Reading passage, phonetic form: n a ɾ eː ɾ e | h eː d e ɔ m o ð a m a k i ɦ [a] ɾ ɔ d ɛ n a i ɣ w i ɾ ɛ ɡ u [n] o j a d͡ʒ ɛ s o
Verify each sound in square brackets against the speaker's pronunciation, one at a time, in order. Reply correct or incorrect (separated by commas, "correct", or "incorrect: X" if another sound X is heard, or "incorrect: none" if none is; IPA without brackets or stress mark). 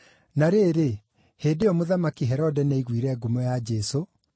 incorrect: ɛ, incorrect: m